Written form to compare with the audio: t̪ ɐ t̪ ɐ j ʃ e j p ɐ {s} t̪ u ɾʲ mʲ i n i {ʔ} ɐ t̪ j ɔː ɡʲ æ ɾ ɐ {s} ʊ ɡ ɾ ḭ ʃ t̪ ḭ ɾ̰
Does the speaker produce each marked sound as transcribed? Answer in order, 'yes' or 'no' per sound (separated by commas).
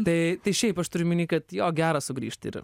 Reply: no, no, yes